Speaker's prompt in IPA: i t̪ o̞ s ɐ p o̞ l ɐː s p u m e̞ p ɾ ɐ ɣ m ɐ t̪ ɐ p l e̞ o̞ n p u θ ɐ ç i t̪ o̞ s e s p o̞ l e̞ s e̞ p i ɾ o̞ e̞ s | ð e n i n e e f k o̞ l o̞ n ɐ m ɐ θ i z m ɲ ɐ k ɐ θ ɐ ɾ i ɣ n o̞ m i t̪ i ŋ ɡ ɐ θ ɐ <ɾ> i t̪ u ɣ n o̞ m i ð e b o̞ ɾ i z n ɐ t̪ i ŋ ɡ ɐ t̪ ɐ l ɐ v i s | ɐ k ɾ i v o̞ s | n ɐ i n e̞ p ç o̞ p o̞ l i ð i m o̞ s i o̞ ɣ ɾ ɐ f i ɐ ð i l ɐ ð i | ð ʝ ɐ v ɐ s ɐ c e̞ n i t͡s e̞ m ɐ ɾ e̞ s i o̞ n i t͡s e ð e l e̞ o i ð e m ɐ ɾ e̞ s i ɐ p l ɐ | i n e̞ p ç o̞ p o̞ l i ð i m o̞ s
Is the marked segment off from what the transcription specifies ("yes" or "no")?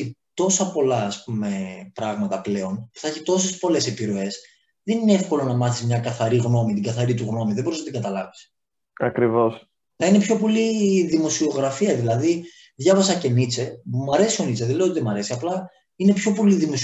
no